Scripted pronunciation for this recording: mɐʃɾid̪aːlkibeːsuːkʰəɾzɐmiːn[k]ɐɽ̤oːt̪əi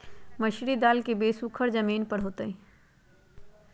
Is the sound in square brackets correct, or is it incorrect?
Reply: incorrect